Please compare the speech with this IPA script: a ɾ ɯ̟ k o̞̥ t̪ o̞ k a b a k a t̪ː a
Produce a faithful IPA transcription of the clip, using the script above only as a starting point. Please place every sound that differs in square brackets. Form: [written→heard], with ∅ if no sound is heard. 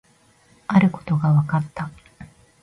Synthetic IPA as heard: a ɾ ɯ̟ k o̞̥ t̪ o̞ [k→ɡ] a [b→β] a k a t̪ː a